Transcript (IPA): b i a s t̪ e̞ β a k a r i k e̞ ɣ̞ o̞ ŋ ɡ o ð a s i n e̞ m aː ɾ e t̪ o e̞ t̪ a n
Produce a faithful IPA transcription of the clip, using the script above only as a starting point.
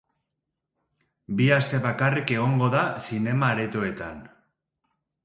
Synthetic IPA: b i a s t̪ e̞ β a k a r i k e̞ ɣ̞ o̞ ŋ ɡ o ð a s i n e̞ m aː ɾ e t̪ o e̞ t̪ a n